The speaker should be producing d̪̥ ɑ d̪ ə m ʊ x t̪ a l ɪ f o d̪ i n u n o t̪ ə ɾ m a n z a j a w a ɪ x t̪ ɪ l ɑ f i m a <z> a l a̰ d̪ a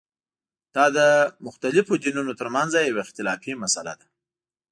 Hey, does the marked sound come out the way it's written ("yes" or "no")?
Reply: no